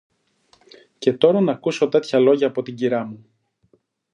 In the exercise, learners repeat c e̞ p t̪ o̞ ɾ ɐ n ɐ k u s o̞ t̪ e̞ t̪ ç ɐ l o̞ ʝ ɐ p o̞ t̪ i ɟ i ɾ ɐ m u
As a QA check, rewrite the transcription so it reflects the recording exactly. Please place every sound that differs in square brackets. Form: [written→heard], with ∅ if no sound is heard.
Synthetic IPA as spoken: c e̞ [p→∅] t̪ o̞ ɾ ɐ n ɐ k u s o̞ t̪ e̞ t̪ ç ɐ l o̞ ʝ [ɐ→ɐː] p o̞ t̪ i ɟ i ɾ ɐ m u